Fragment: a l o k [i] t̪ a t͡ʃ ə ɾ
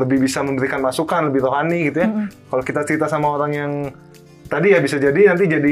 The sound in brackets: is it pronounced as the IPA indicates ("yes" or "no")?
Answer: yes